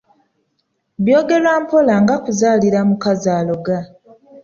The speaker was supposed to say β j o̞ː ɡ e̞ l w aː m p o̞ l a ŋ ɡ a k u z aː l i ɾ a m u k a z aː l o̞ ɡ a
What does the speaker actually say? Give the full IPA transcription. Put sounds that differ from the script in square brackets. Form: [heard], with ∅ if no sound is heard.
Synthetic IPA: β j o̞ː ɡ e̞ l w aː m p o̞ l a ŋ ɡ a k u z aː l i ɾ a m u k a z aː l o̞ ɡ a

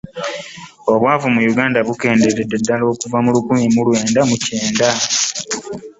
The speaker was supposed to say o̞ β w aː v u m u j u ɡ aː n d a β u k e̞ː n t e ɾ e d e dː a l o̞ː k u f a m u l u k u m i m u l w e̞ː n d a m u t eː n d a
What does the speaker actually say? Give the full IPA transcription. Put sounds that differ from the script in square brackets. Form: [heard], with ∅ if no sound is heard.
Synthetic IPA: o̞ β w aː v u m u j u ɡ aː n d a β u k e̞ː n [d] e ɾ e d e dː a l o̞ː k u [v] a m u l u k u m i m u l w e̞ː n d a m u [c] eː n d a

